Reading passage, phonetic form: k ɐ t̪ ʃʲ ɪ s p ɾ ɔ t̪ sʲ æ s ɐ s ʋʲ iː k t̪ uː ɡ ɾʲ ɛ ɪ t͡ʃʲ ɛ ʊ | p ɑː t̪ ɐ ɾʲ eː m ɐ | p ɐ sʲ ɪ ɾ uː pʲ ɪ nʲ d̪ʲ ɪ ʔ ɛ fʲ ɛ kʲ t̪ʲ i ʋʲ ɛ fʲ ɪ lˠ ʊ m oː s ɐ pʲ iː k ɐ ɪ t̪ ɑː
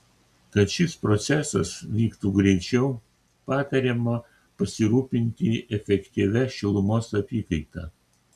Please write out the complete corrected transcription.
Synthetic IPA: k ɐ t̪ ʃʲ ɪ s p ɾ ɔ t̪ sʲ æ s ɐ s ʋʲ iː k t̪ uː ɡ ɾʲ ɛ ɪ t͡ʃʲ ɛ ʊ | p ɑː t̪ ɐ ɾʲ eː m ɐ | p ɐ sʲ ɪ ɾ uː pʲ ɪ nʲ t̪ʲ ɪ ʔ ɛ fʲ ɛ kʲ t̪ʲ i ʋʲ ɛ ʃʲ ɪ lˠ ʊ m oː s ɐ pʲ iː k ɐ ɪ t̪ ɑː